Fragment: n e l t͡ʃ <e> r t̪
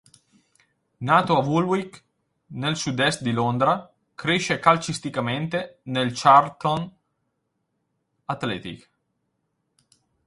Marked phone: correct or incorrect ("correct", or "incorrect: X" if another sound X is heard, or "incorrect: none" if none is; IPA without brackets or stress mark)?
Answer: incorrect: a